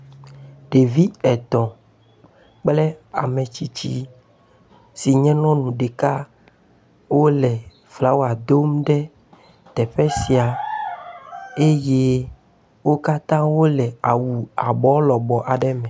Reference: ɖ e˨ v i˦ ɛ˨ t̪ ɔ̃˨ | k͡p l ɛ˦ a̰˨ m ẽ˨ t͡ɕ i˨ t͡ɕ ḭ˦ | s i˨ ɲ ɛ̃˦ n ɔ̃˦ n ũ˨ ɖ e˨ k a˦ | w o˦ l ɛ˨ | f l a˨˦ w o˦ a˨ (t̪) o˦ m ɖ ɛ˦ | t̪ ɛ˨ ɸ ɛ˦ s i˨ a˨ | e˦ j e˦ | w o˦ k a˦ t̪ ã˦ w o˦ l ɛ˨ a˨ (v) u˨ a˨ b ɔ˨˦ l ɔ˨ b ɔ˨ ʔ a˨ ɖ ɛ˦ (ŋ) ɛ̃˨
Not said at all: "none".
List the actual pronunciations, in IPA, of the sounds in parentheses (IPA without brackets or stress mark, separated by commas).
d̪, w, m